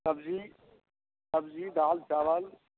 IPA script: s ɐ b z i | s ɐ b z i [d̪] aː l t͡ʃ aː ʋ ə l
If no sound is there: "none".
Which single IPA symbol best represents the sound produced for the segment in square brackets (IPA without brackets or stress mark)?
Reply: d̪